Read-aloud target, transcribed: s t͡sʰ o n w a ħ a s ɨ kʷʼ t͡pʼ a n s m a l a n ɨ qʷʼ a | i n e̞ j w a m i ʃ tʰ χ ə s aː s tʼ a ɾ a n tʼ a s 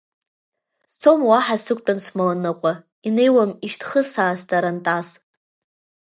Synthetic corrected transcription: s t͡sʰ o m w a ħ a s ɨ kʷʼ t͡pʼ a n s m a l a n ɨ qʷʼ a | i n e̞ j w a m i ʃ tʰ χ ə s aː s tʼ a ɾ a n tʼ a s